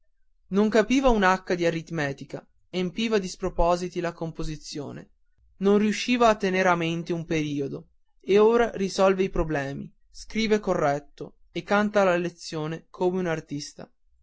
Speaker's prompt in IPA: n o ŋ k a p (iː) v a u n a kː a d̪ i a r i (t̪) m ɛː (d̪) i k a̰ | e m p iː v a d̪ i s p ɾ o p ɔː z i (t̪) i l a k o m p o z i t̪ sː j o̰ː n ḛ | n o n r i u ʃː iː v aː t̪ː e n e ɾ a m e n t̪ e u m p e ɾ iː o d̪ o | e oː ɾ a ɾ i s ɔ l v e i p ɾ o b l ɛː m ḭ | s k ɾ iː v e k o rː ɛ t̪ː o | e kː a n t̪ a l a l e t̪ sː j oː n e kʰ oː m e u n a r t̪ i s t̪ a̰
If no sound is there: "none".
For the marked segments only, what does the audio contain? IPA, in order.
iː, t̪, t̪, t̪

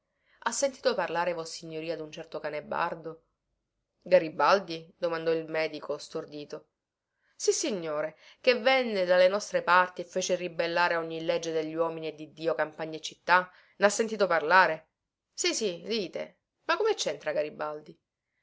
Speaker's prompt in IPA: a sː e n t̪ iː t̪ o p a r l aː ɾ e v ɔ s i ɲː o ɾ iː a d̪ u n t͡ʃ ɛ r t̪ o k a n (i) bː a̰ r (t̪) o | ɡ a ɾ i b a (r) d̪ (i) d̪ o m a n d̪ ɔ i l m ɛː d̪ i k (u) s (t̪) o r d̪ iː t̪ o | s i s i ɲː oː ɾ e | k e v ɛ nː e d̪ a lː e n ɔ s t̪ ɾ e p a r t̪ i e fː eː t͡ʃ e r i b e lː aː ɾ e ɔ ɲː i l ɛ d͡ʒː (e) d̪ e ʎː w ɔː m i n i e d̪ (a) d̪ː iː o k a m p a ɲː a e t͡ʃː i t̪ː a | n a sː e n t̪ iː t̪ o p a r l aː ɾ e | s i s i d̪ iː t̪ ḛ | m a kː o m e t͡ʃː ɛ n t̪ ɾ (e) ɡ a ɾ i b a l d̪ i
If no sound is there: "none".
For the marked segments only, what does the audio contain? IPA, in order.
e, d̪, l, i, o, t̪, e, i, a

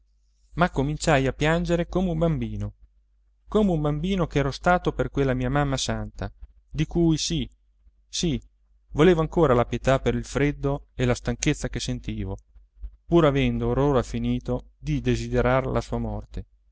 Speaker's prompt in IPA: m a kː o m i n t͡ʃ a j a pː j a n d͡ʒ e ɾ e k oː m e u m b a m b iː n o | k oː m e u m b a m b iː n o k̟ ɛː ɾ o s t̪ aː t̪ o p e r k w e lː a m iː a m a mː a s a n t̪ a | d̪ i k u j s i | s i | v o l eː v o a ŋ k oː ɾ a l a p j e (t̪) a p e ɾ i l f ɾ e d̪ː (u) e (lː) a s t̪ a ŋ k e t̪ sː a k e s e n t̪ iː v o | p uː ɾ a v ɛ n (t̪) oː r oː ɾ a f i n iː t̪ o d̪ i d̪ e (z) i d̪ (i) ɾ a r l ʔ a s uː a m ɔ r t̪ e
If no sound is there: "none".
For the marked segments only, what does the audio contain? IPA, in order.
t̪, o, l, d̪, z, e

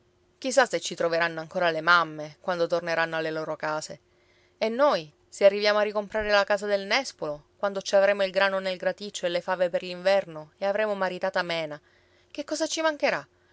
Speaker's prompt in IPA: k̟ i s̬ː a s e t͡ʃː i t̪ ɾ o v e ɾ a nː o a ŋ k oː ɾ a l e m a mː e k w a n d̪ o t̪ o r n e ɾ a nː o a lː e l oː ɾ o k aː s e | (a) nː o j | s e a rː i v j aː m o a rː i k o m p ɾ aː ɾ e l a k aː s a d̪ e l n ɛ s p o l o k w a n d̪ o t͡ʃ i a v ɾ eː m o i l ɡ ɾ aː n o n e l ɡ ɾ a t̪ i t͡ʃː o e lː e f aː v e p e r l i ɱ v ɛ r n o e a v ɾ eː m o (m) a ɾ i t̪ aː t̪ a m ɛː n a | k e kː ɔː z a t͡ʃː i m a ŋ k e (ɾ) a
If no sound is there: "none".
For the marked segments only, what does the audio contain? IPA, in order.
e, m, ɾ

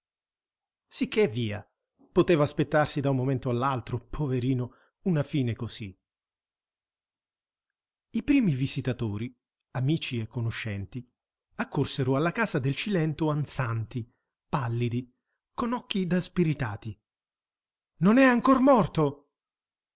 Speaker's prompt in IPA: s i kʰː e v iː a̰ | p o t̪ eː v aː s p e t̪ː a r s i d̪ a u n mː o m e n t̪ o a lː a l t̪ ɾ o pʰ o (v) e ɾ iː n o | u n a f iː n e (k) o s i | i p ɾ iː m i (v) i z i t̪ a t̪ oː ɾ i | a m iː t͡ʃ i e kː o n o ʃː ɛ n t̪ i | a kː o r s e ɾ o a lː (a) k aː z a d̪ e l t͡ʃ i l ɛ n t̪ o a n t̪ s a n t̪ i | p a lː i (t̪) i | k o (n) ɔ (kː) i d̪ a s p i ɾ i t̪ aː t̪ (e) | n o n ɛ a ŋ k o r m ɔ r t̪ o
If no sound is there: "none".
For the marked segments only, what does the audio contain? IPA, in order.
v, k, v, a, d̪, n, kː, i

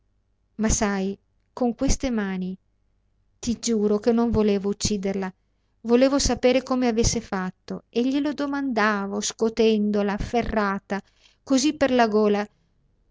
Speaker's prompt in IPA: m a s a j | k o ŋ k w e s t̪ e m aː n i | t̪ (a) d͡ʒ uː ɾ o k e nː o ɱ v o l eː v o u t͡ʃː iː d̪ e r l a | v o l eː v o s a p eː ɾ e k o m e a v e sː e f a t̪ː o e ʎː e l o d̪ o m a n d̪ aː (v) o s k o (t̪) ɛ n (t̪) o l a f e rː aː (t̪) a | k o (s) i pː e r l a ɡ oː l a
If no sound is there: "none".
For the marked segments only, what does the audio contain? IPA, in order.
i, v, t̪, d̪, t̪, z

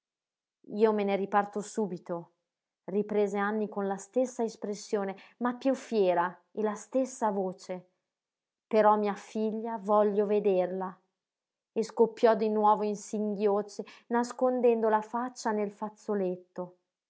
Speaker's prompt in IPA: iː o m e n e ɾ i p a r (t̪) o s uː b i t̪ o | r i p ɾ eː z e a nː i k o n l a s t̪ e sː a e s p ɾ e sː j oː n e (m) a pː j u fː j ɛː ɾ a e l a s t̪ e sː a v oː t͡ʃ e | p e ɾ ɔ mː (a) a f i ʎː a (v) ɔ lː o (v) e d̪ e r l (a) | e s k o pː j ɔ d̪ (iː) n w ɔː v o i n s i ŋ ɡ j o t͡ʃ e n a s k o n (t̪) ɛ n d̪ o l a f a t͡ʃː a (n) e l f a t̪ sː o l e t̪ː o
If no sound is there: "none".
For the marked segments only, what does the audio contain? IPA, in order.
t̪, m, i, v, v, a, i, d̪, n

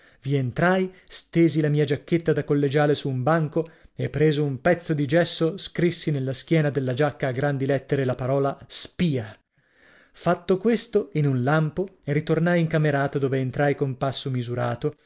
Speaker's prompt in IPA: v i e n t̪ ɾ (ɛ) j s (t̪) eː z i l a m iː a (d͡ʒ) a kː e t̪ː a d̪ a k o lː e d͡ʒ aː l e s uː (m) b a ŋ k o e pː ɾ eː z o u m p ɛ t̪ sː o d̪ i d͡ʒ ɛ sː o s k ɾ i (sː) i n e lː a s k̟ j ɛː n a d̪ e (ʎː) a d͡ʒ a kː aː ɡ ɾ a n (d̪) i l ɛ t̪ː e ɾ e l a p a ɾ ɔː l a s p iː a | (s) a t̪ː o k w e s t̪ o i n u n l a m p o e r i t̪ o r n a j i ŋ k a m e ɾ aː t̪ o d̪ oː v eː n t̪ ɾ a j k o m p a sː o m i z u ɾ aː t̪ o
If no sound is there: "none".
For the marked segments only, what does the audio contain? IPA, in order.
a, t̪, d͡ʒ, m, sː, lː, d̪, f

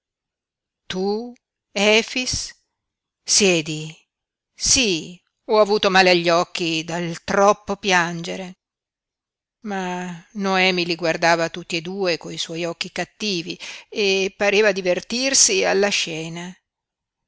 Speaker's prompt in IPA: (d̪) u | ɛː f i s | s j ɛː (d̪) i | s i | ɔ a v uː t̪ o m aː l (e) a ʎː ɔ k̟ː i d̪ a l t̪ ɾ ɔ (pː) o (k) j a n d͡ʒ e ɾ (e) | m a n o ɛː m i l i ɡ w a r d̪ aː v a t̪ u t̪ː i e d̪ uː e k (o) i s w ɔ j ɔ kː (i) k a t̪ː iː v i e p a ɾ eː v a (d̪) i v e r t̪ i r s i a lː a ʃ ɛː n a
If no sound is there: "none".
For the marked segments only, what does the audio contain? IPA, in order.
t̪, d̪, e, pː, p, e, o, i, d̪

